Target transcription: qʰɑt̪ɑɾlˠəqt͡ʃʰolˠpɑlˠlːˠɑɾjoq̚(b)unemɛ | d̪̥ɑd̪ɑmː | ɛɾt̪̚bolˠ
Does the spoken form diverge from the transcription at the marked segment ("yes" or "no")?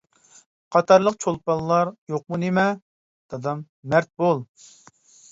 yes